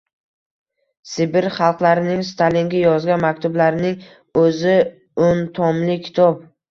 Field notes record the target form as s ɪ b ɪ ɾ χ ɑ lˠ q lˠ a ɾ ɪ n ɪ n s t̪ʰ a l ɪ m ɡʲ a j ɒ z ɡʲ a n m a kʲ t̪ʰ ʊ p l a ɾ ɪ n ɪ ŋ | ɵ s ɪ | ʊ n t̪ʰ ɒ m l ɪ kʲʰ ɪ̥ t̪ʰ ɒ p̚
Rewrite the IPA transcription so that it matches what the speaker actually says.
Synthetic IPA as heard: s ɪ b ɪ ɾ χ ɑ lˠ q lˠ a ɾ ɪ n ɪ ŋ s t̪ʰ a l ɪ ŋ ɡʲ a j ɒ z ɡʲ a n m a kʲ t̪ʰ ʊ b l a ɾ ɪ n ɪ ŋ | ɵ z ɪ | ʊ n t̪ʰ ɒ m l ɪ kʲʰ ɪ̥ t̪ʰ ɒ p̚